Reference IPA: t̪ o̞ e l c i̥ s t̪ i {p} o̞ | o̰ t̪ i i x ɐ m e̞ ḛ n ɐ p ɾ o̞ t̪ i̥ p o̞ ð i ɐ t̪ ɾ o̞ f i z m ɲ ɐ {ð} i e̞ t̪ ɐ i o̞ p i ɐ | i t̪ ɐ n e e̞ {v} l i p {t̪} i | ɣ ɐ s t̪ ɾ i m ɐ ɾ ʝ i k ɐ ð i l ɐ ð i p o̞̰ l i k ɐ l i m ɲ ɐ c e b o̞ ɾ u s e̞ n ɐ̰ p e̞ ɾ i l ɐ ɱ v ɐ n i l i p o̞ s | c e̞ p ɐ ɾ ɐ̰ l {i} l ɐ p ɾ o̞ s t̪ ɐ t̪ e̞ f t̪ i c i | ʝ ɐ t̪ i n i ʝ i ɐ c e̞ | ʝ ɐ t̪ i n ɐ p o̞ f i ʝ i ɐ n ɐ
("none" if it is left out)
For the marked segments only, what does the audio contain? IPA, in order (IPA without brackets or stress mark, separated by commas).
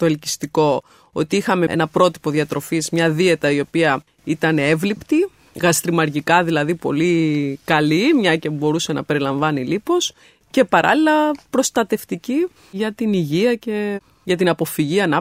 k, ð, v, t̪, i